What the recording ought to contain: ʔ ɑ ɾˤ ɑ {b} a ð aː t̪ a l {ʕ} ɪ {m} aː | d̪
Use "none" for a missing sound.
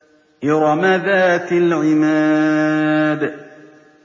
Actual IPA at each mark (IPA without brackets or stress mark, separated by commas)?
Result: m, ʕ, m